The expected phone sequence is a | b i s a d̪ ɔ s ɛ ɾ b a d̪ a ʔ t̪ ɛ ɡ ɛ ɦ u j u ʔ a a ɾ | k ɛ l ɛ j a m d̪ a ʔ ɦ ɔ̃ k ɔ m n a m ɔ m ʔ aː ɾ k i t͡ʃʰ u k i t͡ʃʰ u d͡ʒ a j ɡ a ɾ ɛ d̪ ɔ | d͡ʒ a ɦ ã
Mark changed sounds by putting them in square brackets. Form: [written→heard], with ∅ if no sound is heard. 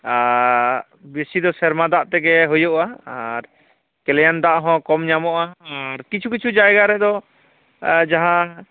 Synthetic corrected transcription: a | b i s [a→i] d̪ ɔ s ɛ ɾ [b→m] a d̪ a ʔ t̪ ɛ ɡ ɛ ɦ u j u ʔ a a ɾ | k ɛ l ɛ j a [m→n] d̪ a ʔ ɦ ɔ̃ k ɔ m [n→ɲ] a m ɔ [m→∅] ʔ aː ɾ k i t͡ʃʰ u k i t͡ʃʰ u d͡ʒ a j ɡ a ɾ ɛ d̪ ɔ | d͡ʒ a ɦ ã